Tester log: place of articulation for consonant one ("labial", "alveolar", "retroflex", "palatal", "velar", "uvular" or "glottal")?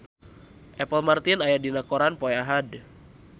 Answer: glottal